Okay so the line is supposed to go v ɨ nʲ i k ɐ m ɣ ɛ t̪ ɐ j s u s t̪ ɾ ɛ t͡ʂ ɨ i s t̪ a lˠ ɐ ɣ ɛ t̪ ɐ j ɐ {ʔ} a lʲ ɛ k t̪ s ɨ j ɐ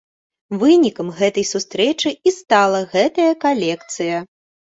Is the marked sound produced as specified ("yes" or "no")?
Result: no